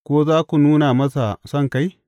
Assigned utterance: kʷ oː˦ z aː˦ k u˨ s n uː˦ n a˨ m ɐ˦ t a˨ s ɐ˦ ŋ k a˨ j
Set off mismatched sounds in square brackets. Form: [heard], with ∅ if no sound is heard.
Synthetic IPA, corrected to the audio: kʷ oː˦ z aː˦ k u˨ [∅] n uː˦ n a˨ m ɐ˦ [s] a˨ s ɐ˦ ŋ k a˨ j

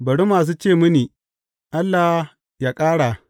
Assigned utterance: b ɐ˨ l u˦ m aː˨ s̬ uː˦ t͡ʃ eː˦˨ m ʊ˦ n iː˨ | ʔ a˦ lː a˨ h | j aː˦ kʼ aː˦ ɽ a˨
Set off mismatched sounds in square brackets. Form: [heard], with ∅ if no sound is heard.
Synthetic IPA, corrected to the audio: b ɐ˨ [ɽ] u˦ m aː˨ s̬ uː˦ t͡ʃ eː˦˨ m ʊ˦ n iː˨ | ʔ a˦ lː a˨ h | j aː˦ kʼ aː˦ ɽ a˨

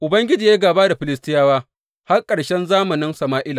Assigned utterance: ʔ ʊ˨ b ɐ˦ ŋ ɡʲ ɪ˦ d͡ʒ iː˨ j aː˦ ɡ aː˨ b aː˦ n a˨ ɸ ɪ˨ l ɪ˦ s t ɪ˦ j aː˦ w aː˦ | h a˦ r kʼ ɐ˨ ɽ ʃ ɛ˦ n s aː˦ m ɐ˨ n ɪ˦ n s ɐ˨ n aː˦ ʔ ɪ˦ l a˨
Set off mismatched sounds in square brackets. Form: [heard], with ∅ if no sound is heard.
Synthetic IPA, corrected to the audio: ʔ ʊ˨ b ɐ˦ ŋ ɡʲ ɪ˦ d͡ʒ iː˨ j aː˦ ɡ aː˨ b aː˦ [d] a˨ ɸ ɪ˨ l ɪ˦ s t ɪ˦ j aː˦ w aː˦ | h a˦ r kʼ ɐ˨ ɽ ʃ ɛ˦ n [z] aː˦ m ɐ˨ n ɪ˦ n s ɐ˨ [m] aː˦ ʔ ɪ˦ l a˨

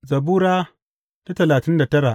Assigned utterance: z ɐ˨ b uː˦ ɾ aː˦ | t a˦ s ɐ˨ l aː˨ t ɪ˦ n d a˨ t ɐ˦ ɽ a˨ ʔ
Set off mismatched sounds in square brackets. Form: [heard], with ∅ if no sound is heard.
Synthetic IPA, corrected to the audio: z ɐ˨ b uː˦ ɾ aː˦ | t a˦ [t] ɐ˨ l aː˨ t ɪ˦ n d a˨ t ɐ˦ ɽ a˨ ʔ

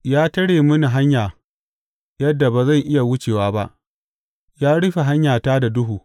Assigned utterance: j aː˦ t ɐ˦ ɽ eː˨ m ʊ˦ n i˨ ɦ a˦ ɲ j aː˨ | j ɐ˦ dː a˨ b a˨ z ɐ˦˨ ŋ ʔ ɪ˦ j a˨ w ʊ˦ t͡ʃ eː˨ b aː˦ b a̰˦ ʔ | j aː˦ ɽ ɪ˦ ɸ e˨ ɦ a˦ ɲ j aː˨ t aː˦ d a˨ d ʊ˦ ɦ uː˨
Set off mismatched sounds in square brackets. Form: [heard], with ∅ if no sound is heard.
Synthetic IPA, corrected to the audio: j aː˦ t ɐ˦ ɽ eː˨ m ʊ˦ n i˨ ɦ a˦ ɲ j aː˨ | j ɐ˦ dː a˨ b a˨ z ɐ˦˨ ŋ ʔ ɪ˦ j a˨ w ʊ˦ t͡ʃ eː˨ [w] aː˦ b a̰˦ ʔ | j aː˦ ɽ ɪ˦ ɸ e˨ ɦ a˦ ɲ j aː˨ t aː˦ d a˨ d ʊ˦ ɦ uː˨

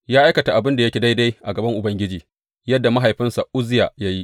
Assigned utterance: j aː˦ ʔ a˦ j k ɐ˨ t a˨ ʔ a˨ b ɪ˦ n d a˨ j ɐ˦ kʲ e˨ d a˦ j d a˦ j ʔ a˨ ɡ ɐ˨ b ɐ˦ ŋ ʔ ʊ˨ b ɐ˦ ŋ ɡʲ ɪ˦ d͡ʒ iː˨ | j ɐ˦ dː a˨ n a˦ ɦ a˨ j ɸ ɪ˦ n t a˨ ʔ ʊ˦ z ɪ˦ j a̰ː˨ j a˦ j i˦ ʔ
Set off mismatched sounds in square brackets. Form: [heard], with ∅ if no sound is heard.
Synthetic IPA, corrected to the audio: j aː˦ ʔ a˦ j k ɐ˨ t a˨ ʔ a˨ b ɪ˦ n d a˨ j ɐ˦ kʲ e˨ d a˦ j d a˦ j ʔ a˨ ɡ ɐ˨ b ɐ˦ ŋ ʔ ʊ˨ b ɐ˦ ŋ ɡʲ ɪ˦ d͡ʒ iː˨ | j ɐ˦ dː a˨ [m] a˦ ɦ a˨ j ɸ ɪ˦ n [s] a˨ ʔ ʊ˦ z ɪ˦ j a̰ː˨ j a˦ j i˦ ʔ

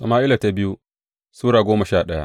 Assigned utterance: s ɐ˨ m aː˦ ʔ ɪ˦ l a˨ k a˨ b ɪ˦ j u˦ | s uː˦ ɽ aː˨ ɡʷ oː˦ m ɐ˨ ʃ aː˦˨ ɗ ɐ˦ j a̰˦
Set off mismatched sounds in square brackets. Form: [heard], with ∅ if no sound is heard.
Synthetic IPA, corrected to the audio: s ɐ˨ m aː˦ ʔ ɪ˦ l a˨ [t] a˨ b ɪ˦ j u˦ | s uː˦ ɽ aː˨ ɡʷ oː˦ m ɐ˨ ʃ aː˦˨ ɗ ɐ˦ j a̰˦

